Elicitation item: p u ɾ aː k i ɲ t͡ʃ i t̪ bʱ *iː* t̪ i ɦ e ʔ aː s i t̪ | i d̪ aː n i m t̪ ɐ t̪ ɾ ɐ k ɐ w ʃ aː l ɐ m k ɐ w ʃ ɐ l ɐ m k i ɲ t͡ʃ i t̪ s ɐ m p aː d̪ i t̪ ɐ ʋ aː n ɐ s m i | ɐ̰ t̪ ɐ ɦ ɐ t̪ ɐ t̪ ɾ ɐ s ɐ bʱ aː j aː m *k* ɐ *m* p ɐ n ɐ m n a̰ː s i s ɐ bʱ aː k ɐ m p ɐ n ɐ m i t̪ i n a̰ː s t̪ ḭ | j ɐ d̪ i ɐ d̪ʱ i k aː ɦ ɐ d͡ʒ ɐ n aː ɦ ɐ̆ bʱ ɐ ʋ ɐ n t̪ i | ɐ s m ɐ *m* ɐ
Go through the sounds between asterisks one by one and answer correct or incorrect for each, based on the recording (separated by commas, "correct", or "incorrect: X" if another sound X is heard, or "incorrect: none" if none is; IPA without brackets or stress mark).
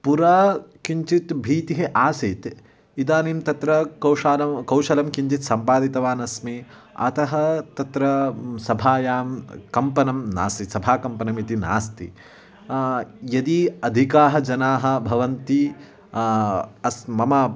correct, correct, correct, correct